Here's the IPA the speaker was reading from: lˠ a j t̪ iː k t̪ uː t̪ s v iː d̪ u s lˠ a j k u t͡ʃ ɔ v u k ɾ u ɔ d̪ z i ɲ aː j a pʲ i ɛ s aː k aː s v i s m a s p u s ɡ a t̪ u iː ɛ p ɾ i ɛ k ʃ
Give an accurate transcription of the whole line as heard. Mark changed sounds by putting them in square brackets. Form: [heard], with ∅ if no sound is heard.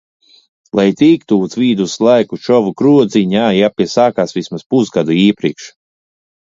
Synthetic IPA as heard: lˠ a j t̪ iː k t̪ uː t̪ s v iː d̪ u s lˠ a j k u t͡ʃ ɔ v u k ɾ u ɔ d̪ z i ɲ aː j a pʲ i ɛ s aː k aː s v i s m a s p u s ɡ a [d̪] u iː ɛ p ɾ i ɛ k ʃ